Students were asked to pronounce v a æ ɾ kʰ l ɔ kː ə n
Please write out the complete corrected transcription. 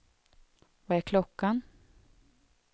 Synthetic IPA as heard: v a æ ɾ kʰ l ɔ kː a n